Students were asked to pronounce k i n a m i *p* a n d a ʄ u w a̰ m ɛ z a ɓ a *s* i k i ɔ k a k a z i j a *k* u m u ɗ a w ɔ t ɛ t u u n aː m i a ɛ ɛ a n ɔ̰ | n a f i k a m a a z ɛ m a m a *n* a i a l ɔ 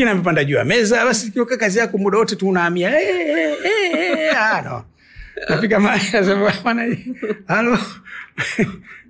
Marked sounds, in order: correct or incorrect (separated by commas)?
correct, correct, correct, correct